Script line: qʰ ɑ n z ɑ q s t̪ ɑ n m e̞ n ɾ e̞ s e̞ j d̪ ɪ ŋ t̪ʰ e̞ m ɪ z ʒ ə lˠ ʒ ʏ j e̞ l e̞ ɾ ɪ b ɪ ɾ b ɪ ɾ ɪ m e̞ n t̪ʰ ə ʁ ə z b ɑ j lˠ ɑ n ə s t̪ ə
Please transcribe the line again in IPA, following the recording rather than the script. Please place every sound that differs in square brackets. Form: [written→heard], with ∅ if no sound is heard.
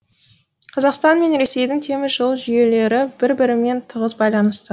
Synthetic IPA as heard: qʰ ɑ [n→∅] z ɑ q s t̪ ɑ n m e̞ n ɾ e̞ s e̞ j d̪ ɪ ŋ t̪ʰ e̞ m ɪ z ʒ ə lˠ ʒ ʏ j e̞ l e̞ ɾ ɪ b ɪ ɾ b ɪ ɾ ɪ m e̞ n t̪ʰ ə ʁ ə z b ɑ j lˠ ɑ n ə s t̪ ə